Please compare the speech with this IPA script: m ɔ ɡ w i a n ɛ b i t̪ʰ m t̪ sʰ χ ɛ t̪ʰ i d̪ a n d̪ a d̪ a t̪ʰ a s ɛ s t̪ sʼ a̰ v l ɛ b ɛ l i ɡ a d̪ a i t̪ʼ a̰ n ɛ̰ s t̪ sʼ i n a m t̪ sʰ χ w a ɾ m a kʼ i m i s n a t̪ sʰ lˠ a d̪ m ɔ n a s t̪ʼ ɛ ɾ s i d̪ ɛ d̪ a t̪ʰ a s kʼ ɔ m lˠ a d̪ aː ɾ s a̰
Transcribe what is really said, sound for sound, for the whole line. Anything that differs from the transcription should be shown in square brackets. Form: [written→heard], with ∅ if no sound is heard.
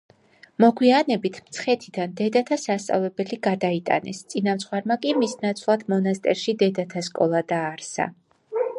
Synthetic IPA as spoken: m ɔ ɡ w i a n ɛ b i t̪ʰ m t̪ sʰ χ ɛ t̪ʰ i d̪ a n d̪ [a→ɛ] d̪ a t̪ʰ a s [ɛ→a] s t̪ sʼ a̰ v l ɛ b ɛ l i ɡ a d̪ a i t̪ʼ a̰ n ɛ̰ s t̪ sʼ i n a m t̪ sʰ χ w a ɾ m a kʼ i m i s n a t̪ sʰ lˠ a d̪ m ɔ n a s t̪ʼ ɛ ɾ [s→ʃ] i d̪ ɛ d̪ a t̪ʰ a s kʼ ɔ [m→∅] lˠ a d̪ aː ɾ s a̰